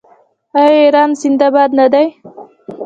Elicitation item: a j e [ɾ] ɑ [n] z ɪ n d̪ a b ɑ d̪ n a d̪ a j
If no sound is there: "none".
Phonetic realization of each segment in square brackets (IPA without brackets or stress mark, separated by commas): ɾ, n